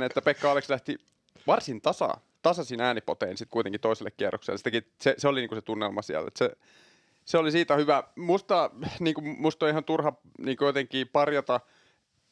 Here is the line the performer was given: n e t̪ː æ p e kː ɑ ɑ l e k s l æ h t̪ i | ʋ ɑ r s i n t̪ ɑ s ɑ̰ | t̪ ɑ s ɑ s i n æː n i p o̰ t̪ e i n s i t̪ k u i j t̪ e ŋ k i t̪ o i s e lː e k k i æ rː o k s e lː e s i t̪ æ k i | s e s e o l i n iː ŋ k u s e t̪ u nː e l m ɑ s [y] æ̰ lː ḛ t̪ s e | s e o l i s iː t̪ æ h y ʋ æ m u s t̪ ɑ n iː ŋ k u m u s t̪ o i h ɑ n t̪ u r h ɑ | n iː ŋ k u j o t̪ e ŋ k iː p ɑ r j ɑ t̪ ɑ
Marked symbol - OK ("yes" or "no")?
no